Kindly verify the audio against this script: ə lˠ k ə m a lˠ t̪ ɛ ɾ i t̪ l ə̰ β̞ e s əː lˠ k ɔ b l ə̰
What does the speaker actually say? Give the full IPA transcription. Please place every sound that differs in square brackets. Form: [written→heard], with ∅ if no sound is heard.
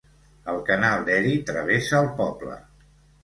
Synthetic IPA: ə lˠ k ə [m→n] a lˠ [t̪→d̪] ɛ ɾ i t̪ [l→ɾ] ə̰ β̞ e s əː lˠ [k→p] ɔ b l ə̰